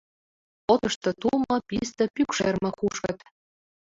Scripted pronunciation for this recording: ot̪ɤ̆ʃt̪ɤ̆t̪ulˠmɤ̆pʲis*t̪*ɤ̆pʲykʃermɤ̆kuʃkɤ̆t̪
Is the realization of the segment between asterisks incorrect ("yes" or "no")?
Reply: no